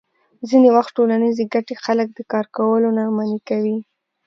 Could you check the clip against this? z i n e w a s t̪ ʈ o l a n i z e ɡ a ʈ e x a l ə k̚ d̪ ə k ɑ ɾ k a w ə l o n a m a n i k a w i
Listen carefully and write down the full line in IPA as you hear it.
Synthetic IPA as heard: z i n e w a x t̪ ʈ o l a n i z e ɡ a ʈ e x a l ə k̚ d̪ ə k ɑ ɾ k a w ə l o n a m a n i k a w i